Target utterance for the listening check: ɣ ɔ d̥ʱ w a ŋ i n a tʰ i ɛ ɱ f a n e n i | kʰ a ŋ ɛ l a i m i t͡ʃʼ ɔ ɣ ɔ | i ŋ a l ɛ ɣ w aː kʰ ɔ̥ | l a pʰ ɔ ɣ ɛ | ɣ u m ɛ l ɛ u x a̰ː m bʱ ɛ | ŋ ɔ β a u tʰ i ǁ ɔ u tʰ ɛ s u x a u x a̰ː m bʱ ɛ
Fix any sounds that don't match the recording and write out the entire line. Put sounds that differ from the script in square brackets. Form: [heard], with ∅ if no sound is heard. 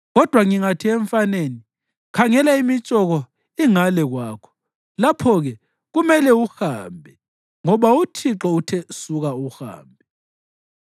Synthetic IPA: ɣ ɔ d̥ʱ w a ŋ i [ŋ] a tʰ i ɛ ɱ f a n e n i | kʰ a ŋ ɛ l a i m i t͡ʃʼ ɔ ɣ ɔ | i ŋ a l ɛ ɣ w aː kʰ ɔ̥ | l a pʰ ɔ ɣ ɛ | ɣ u m ɛ l ɛ u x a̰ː m bʱ ɛ | ŋ ɔ β a u tʰ i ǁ ɔ u tʰ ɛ s u [ɣ] a u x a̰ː m bʱ ɛ